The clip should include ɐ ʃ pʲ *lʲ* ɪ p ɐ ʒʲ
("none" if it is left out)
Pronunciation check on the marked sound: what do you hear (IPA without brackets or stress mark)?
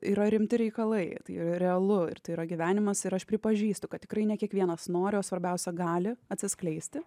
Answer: ɾʲ